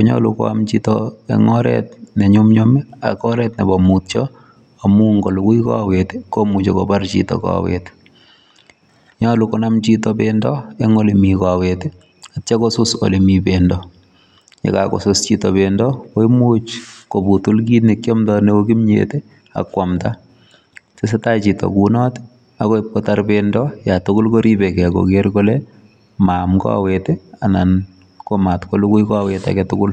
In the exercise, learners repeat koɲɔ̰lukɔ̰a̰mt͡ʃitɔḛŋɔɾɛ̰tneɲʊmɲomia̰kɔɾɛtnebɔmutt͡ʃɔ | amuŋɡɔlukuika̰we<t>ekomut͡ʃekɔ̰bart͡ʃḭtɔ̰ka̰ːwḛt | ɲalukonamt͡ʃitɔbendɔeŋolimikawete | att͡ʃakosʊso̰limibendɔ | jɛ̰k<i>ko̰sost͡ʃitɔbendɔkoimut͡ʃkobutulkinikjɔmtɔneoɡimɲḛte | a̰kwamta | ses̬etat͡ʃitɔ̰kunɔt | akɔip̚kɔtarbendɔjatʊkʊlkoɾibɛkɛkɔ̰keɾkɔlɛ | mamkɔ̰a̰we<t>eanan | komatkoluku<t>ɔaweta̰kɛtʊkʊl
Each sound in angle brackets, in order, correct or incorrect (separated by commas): correct, incorrect, correct, incorrect